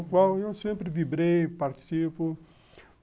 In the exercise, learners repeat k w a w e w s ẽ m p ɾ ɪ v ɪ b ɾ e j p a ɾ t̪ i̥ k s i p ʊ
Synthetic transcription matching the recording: k w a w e w s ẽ m p ɾ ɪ v i b ɾ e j p a ɾ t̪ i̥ s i p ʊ